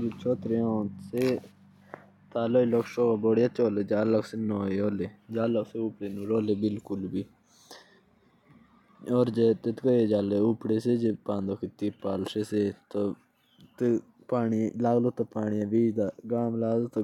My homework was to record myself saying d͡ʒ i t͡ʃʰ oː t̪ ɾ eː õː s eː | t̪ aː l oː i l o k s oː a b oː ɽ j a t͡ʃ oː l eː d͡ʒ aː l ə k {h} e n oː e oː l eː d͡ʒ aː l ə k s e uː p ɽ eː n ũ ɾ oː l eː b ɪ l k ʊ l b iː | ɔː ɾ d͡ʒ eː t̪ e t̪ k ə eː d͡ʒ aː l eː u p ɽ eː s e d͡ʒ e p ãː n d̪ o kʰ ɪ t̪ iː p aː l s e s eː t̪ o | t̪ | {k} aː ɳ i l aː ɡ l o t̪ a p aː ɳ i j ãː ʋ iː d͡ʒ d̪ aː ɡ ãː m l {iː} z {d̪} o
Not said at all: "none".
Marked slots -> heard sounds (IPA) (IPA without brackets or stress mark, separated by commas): s, p, aː, t̪